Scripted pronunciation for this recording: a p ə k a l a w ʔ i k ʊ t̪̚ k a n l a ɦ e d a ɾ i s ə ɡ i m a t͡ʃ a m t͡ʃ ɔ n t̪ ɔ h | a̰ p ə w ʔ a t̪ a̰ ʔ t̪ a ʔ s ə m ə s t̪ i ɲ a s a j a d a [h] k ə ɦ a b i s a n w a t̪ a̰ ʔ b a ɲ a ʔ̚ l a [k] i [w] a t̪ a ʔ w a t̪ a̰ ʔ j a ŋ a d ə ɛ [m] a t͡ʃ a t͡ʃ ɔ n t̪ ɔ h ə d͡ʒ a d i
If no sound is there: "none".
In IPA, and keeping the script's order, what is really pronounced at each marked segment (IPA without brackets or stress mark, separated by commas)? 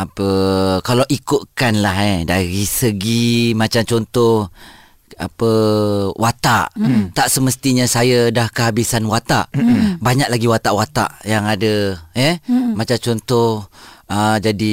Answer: h, ɡ, w, m